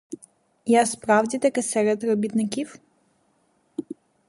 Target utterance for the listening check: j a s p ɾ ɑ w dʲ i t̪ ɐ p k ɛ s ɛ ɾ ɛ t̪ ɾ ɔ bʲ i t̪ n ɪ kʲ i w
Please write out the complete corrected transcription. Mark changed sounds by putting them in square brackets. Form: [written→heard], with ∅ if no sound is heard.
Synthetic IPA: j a s p ɾ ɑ w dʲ i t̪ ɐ [p→∅] k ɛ s ɛ ɾ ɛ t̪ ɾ ɔ bʲ i t̪ n ɪ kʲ i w